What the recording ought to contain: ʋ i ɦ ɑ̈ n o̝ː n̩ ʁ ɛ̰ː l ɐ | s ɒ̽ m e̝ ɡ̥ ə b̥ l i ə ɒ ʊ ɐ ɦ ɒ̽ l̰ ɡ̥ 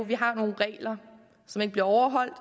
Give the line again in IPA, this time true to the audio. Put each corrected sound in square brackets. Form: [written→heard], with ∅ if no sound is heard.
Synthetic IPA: ʋ i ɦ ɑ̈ n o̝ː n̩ ʁ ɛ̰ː l ɐ | s ɒ̽ m e̝ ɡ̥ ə b̥ l i [ə→ɐ] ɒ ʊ ɐ ɦ ɒ̽ l̰ [ɡ̥→d̥]